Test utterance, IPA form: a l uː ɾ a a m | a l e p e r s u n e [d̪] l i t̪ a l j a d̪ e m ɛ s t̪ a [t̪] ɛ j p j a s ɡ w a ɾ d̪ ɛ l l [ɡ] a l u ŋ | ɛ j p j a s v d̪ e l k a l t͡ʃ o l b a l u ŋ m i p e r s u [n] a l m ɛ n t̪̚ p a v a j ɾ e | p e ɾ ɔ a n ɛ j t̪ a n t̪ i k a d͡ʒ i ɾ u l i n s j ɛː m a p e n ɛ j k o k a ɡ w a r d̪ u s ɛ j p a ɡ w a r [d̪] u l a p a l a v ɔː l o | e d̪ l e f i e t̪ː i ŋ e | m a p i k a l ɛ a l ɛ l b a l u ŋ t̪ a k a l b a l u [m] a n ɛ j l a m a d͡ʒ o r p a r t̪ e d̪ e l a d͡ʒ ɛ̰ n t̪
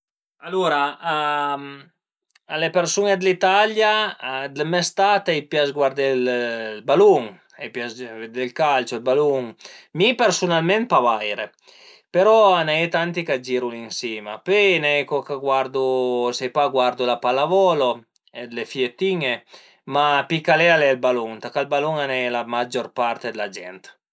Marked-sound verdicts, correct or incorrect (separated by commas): correct, correct, incorrect, correct, correct, incorrect